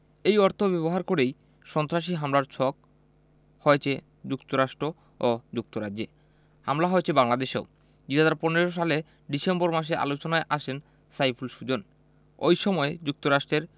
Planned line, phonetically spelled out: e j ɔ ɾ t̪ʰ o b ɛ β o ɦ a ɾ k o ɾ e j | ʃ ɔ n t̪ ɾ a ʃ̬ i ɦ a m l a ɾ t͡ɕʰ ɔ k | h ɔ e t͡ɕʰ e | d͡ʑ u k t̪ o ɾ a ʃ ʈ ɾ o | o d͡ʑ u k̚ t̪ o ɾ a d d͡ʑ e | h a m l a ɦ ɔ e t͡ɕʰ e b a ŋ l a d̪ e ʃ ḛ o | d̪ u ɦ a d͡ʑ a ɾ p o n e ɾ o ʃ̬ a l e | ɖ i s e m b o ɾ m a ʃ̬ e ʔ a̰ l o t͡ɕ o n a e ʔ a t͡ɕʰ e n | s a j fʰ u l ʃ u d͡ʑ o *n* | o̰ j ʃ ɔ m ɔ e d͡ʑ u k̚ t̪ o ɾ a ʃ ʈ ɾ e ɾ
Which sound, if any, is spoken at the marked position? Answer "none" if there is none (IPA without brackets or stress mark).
n